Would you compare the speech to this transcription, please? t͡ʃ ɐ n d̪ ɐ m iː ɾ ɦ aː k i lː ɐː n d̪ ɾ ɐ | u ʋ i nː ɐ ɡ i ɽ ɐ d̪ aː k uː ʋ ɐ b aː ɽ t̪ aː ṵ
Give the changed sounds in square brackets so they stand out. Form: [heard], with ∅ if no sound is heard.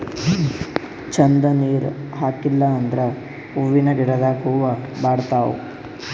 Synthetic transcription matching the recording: t͡ʃ ɐ n d̪ ɐ [n] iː ɾ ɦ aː k i lː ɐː n d̪ ɾ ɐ | u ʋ i [n] ɐ ɡ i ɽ ɐ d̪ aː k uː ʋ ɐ b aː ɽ t̪ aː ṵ